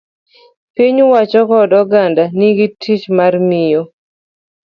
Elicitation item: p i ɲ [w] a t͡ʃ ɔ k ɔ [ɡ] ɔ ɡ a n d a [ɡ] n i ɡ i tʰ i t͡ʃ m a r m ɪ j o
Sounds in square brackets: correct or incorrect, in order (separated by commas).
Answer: correct, incorrect, incorrect